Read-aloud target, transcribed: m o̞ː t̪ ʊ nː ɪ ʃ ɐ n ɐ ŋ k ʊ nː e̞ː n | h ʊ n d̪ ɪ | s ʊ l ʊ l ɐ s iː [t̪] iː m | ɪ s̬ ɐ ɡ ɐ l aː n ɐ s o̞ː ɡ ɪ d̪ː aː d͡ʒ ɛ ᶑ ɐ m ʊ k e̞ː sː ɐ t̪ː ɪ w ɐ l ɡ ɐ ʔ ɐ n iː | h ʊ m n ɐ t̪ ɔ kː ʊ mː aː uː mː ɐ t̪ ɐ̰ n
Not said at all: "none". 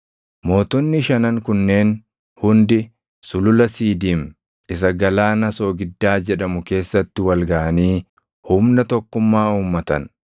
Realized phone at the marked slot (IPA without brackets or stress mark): d̪